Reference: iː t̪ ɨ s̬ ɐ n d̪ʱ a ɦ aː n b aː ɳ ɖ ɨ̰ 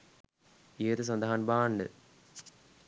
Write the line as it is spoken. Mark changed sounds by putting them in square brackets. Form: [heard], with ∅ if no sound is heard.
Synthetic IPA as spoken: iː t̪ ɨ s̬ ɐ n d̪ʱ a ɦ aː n b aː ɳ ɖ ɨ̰

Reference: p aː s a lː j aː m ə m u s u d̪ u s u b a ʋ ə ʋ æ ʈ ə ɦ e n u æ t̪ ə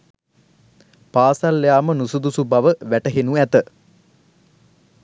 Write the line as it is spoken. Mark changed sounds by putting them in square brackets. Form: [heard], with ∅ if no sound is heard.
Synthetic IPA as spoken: p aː s a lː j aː m ə [n] u s u d̪ u s u b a ʋ ə ʋ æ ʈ ə ɦ e n u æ t̪ ə

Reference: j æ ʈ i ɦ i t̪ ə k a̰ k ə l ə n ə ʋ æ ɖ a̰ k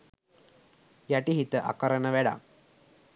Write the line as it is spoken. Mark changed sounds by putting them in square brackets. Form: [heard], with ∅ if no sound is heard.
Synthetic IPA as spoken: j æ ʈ i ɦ i t̪ ə [ʔ] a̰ k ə [ɾ] ə n ə ʋ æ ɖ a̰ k

